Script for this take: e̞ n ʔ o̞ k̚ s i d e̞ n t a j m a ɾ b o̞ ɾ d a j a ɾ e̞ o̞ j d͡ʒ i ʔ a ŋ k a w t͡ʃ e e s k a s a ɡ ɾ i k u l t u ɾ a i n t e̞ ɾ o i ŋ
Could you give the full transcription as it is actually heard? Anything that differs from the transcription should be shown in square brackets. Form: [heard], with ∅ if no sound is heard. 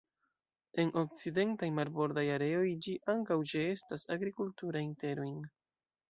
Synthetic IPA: e̞ n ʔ o̞ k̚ [t͡s] i d e̞ n t a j m a ɾ b o̞ ɾ d a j a ɾ e̞ o̞ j d͡ʒ i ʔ a ŋ k a w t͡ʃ e e s [t] a s a ɡ ɾ i k u l t u ɾ a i n t e̞ ɾ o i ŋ